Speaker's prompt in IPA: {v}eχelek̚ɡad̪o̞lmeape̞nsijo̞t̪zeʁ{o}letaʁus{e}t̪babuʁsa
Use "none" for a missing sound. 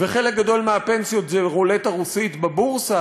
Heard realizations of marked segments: v, o, i

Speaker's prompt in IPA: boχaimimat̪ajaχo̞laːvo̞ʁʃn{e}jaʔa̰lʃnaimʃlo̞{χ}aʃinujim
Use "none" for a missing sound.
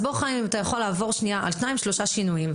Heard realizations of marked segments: i, ʃ

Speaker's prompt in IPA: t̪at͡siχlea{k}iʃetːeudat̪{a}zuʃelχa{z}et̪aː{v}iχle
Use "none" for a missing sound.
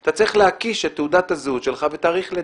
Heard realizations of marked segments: k, a, v, ʁ

